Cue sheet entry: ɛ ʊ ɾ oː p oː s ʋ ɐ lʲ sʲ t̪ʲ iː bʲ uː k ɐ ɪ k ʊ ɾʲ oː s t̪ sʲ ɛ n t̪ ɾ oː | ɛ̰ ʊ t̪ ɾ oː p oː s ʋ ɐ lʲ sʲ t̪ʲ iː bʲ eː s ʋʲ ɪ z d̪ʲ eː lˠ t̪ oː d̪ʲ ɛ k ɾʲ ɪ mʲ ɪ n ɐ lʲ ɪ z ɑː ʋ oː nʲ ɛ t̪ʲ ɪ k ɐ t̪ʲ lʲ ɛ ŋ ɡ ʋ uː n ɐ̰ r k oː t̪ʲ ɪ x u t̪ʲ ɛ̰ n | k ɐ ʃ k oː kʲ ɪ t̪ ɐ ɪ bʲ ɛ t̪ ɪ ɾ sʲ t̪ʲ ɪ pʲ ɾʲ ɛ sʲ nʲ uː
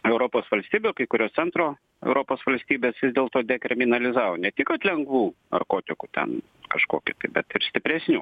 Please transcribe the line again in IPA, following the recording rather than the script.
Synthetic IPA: ɛ ʊ ɾ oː p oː s ʋ ɐ lʲ sʲ t̪ʲ iː bʲ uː k ɐ ɪ k ʊ ɾʲ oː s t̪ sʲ ɛ n t̪ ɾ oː | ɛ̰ ʊ ɾ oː p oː s ʋ ɐ lʲ sʲ t̪ʲ iː bʲ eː s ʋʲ ɪ z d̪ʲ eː lˠ t̪ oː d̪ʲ ɛ k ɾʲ ɪ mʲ ɪ n ɐ lʲ ɪ z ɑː ʋ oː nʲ ɛ t̪ʲ ɪ k ɐ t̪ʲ lʲ ɛ ŋ ɡ ʋ uː n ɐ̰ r k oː t̪ʲ ɪ k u t̪ʲ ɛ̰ n | k ɐ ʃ k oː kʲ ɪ t̪ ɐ ɪ bʲ ɛ t̪ ɪ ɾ sʲ t̪ʲ ɪ pʲ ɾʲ ɛ sʲ nʲ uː